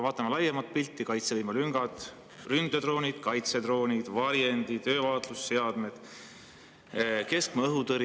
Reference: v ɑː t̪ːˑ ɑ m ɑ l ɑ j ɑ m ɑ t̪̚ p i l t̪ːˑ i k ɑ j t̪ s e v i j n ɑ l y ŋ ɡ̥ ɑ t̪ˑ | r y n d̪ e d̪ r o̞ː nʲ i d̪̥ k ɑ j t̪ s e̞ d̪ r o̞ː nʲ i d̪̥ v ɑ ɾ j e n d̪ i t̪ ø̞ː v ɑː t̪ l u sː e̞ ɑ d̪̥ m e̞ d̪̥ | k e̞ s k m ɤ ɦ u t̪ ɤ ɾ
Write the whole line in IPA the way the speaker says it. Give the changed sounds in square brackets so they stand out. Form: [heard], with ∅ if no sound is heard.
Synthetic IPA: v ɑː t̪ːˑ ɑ m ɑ l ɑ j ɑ m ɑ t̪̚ p i l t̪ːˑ i k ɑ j t̪ s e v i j [m] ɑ l y ŋ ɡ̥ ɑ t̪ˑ | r y n d̪ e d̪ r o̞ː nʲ i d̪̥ k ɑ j t̪ s e̞ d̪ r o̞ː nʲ i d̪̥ v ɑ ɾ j e n d̪ i t̪ ø̞ː v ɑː t̪ l u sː e̞ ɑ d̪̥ m e̞ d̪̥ | k e̞ s k m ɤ ɦ u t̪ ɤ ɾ